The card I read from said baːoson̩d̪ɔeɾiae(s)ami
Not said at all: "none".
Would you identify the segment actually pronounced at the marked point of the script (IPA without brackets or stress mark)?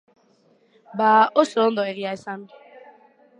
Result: s